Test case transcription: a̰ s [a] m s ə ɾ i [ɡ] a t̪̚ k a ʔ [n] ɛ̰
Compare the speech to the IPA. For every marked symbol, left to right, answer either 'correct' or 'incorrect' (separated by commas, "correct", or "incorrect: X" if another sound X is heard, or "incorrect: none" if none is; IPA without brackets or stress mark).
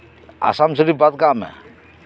correct, incorrect: b, incorrect: m